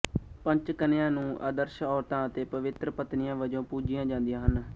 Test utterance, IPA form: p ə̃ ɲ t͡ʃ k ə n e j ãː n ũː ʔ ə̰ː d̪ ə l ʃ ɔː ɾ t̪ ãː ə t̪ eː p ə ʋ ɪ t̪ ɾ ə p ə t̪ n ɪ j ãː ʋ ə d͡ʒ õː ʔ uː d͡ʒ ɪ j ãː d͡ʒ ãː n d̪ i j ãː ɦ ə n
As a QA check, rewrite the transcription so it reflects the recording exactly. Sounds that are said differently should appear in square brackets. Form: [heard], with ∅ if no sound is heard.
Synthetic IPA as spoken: p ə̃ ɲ t͡ʃ k ə n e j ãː n ũː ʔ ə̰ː d̪ ə [ɾ] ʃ ɔː ɾ t̪ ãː ə t̪ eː p ə ʋ ɪ t̪ ɾ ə p ə t̪ n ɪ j ãː ʋ ə d͡ʒ õː [p] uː d͡ʒ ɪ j ãː d͡ʒ ãː n d̪ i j ãː ɦ ə n